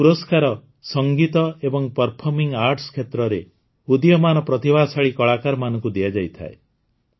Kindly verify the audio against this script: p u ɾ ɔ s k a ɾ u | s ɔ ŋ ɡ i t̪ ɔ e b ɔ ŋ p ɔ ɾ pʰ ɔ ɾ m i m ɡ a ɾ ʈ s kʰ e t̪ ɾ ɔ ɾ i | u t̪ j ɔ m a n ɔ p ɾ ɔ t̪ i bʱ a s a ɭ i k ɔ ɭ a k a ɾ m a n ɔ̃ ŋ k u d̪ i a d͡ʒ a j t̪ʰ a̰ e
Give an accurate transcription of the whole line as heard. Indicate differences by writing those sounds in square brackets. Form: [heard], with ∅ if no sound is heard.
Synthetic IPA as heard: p u ɾ ɔ s k a ɾ [ɔ] | s ɔ ŋ ɡ i t̪ ɔ e b ɔ ŋ p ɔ ɾ pʰ ɔ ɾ m i [ŋ] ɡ a ɾ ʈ s kʰ e t̪ ɾ ɔ ɾ [e] | u [d̪] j ɔ m a n ɔ p ɾ ɔ t̪ i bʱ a s a ɭ i k ɔ ɭ a k a ɾ m a n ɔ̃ ŋ k u d̪ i a d͡ʒ a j t̪ʰ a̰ e